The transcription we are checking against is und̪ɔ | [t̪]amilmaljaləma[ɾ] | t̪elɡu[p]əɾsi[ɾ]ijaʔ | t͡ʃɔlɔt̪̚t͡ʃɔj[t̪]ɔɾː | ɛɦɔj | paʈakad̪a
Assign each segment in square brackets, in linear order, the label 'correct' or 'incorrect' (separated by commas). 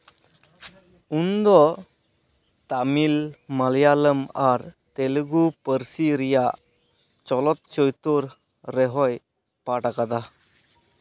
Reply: correct, correct, correct, correct, correct